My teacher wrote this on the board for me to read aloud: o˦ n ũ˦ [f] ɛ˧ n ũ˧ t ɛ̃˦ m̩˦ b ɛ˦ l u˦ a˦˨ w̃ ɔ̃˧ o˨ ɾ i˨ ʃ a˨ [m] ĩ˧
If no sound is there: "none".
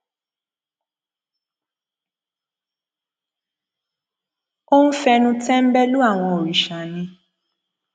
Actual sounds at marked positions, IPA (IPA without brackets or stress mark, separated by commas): f, n